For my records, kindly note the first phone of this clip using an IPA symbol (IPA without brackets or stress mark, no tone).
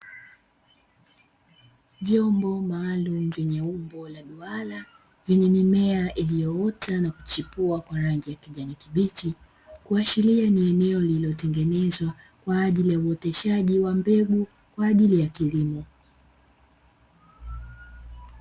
v